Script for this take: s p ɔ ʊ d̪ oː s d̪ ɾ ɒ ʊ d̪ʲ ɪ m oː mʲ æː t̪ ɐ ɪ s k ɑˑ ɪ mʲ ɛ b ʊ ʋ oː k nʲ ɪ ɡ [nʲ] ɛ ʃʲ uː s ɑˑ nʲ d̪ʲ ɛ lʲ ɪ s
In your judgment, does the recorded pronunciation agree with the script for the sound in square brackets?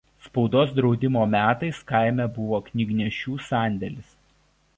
yes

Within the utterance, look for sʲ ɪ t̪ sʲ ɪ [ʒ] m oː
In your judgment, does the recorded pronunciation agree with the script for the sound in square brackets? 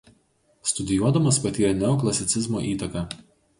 no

